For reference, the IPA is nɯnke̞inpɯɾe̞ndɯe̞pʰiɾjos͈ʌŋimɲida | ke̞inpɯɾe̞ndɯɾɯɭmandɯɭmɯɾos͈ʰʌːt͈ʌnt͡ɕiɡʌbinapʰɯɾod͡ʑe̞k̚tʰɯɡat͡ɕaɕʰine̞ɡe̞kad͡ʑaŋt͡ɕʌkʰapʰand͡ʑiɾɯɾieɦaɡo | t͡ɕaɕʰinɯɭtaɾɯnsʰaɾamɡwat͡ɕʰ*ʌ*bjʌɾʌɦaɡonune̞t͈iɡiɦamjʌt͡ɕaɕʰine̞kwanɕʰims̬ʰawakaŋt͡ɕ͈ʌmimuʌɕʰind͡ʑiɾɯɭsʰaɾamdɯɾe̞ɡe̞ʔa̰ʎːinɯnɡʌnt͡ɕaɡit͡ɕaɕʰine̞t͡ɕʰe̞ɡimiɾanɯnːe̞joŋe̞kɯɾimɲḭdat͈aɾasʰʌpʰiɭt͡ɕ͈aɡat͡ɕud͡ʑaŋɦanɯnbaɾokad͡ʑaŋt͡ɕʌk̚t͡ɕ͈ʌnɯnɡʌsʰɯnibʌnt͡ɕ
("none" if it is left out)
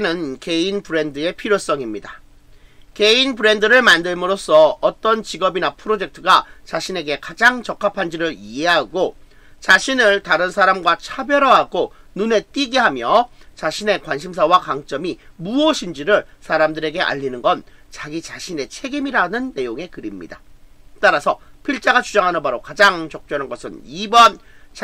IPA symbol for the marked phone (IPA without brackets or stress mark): a